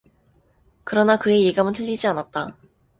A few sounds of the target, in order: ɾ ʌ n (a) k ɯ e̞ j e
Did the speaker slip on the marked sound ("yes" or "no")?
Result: no